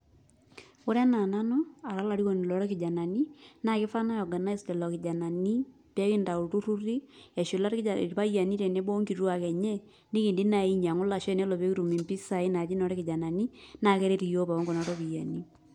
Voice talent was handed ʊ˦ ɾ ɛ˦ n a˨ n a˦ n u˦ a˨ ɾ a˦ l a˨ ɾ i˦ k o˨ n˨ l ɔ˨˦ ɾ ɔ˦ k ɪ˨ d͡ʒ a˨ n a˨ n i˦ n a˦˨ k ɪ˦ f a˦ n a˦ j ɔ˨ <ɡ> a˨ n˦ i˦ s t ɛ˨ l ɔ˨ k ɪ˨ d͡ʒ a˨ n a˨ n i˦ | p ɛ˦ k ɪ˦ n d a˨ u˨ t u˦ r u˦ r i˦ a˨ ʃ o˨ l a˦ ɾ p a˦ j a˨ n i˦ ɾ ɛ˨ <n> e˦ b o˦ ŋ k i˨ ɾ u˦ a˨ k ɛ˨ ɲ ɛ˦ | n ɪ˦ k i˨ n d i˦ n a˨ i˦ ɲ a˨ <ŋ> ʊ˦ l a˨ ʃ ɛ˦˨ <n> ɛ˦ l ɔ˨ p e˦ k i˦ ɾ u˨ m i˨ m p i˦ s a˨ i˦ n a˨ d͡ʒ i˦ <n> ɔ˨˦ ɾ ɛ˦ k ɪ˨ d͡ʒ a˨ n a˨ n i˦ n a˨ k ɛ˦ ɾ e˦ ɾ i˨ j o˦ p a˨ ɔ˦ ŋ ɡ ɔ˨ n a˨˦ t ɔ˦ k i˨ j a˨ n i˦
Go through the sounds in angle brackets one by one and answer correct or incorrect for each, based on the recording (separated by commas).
correct, correct, correct, correct, correct